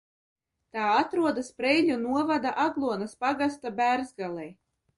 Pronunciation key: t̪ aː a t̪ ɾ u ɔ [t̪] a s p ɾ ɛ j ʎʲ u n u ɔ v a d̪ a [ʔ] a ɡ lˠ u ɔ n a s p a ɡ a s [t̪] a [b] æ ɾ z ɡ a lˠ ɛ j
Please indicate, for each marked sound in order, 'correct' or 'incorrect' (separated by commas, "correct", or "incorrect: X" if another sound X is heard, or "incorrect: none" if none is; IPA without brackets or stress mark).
incorrect: d̪, correct, correct, correct